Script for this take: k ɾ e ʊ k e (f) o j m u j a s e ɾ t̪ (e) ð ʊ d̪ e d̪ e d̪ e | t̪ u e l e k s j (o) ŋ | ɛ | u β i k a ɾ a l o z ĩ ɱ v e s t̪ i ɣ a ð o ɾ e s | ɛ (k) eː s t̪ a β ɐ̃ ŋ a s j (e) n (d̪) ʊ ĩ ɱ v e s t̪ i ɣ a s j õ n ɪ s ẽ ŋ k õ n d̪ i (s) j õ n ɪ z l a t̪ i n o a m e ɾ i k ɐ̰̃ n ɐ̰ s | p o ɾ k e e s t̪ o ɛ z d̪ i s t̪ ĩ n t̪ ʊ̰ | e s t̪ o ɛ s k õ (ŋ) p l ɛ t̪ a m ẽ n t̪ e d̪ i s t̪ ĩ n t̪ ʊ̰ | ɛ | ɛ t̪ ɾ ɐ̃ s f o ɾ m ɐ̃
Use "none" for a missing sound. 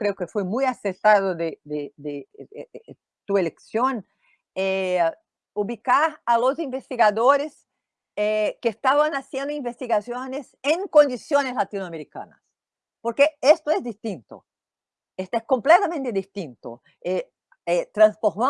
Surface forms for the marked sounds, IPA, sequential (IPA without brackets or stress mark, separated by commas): f, a, õ, k, ẽ, d̪, s, m